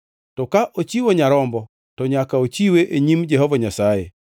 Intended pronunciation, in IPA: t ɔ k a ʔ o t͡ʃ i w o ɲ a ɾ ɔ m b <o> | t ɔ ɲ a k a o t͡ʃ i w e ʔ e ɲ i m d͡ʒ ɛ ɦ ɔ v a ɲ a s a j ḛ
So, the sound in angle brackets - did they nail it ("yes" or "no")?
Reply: no